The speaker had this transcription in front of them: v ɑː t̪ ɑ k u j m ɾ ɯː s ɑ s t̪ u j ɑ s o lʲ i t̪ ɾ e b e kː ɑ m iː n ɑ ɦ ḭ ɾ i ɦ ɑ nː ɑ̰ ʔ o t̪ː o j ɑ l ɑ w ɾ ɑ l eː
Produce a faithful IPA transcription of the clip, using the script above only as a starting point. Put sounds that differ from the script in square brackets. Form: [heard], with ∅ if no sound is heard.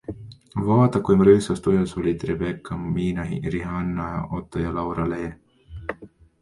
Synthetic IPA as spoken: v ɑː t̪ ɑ k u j m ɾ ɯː s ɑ s t̪ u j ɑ s o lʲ i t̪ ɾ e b e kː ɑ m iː n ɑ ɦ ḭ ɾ i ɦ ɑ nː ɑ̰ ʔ o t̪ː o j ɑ l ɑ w ɾ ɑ l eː